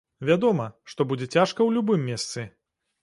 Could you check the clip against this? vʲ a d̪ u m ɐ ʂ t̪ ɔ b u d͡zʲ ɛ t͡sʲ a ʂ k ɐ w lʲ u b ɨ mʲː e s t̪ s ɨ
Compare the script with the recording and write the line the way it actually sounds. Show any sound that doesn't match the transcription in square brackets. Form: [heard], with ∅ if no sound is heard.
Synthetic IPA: vʲ a d̪ [ɔ] m ɐ ʂ t̪ ɔ b u d͡zʲ ɛ t͡sʲ a ʂ k ɐ w lʲ u b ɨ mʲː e s t̪ s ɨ